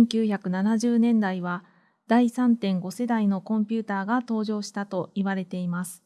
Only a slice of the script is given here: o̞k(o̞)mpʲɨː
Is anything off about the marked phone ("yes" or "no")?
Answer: yes